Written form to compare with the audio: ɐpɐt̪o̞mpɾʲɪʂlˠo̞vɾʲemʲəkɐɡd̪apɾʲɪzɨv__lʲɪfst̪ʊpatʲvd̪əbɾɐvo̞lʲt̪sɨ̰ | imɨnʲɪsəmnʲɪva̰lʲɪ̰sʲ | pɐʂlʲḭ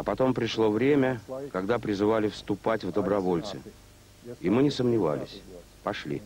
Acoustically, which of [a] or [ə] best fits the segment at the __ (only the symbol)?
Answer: a